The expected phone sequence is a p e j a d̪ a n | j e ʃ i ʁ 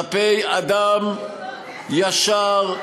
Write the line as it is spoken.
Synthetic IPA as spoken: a p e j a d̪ a m | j a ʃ a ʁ